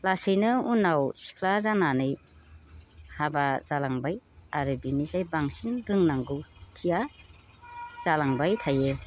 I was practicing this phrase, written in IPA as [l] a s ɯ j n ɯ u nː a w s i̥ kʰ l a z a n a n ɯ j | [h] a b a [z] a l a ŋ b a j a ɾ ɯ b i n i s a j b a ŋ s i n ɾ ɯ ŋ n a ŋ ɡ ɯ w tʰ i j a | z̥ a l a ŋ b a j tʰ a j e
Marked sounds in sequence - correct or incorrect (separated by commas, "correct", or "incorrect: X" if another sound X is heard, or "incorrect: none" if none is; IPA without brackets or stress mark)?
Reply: correct, correct, correct